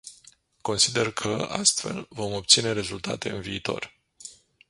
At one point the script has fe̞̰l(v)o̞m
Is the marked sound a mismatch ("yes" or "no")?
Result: no